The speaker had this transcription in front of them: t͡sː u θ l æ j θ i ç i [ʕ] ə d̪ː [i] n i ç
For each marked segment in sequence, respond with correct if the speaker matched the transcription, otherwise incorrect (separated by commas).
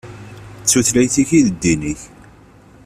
incorrect, correct